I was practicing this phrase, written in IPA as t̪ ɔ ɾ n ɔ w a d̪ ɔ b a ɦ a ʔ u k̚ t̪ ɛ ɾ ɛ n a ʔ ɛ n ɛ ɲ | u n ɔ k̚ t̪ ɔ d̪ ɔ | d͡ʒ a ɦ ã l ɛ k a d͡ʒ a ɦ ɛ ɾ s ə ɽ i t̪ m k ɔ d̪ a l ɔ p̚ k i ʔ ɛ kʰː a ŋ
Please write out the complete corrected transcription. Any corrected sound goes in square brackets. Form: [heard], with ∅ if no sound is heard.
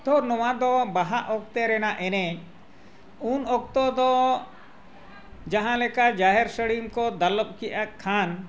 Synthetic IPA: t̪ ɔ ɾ n ɔ w a d̪ ɔ b a ɦ a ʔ [ɔ] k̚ t̪ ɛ ɾ ɛ n a ʔ ɛ n ɛ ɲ | u n ɔ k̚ t̪ ɔ d̪ ɔ | d͡ʒ a ɦ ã l ɛ k a d͡ʒ a ɦ ɛ ɾ s ə ɽ i [∅] m k ɔ d̪ a l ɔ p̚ k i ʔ [a] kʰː a [n]